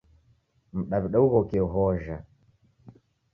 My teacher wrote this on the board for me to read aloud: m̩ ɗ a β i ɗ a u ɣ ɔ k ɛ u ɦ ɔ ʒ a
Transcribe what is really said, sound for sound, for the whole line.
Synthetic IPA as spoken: m̩ ɗ a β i ɗ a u ɣ ɔ k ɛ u ɦ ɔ ʒ a